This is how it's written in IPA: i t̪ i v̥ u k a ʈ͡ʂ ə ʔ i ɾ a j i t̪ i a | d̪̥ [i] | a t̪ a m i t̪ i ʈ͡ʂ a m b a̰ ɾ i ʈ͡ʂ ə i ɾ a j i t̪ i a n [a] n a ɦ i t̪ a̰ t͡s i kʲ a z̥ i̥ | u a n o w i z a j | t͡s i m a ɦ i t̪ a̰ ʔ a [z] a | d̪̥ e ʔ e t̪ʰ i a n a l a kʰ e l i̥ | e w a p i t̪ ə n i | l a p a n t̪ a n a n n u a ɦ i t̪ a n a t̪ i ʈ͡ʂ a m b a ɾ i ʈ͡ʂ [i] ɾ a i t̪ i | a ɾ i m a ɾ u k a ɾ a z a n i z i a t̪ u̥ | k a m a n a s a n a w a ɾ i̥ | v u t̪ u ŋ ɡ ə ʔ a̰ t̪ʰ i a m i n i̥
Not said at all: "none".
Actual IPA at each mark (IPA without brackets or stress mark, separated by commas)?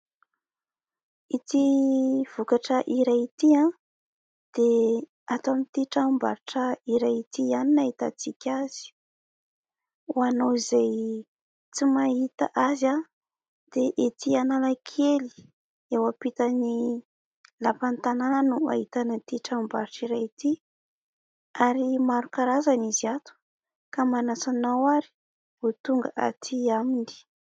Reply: e, i, z, i